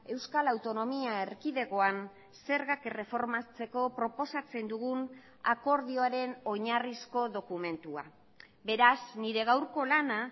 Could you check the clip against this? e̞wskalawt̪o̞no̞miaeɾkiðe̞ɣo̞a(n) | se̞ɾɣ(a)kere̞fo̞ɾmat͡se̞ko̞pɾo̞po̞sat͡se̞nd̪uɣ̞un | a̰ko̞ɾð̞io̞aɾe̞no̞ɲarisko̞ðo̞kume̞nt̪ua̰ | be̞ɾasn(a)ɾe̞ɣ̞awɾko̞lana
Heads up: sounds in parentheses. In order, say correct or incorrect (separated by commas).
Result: correct, correct, incorrect